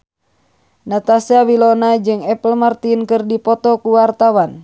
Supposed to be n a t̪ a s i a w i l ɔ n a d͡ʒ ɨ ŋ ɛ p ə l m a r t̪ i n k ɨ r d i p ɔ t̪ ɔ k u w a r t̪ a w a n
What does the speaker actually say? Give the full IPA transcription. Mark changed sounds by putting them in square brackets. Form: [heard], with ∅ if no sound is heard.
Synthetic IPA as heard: n a t̪ a s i a w i l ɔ n a d͡ʒ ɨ ŋ ɛ p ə l m a r t̪ i n k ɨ r d i p ɔ t̪ ɔ k u w a r t̪ a w a n